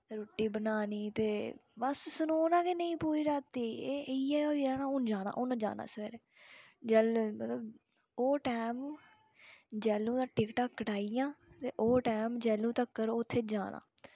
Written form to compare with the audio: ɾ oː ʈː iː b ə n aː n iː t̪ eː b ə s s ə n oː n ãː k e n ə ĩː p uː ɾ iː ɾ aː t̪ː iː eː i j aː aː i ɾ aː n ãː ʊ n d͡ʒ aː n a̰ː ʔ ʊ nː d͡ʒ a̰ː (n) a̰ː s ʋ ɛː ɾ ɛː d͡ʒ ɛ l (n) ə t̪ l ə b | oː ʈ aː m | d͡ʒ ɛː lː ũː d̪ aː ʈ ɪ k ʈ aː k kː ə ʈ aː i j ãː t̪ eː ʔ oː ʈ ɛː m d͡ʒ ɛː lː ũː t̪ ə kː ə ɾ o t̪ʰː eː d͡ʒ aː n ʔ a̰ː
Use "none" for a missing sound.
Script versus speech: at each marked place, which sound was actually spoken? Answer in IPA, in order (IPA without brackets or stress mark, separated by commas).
n, m